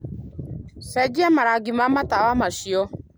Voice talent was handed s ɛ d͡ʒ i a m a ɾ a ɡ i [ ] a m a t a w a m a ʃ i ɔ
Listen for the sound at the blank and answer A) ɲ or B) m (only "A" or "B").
B